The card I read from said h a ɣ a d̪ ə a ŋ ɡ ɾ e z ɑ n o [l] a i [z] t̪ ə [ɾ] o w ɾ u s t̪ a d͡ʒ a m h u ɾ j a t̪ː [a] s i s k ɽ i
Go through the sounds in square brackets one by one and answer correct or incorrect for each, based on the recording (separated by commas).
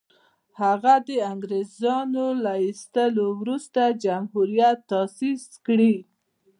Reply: correct, incorrect, incorrect, incorrect